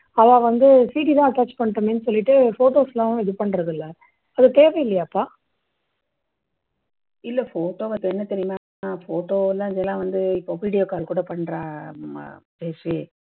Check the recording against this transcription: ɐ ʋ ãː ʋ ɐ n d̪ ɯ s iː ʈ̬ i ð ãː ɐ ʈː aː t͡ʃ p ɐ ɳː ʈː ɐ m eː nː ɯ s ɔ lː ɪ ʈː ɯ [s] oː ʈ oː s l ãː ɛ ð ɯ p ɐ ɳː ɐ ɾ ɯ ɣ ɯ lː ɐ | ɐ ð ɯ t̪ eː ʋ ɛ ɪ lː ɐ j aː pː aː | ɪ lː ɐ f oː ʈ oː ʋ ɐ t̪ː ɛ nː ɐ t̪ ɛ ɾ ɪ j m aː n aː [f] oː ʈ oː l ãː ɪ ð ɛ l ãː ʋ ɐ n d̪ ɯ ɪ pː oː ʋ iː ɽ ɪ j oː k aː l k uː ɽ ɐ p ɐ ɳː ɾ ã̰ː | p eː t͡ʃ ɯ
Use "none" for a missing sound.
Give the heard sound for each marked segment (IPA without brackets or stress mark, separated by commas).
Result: f, f